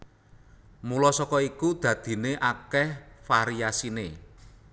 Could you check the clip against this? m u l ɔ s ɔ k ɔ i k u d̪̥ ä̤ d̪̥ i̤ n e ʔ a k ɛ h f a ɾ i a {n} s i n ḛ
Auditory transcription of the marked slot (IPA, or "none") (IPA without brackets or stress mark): none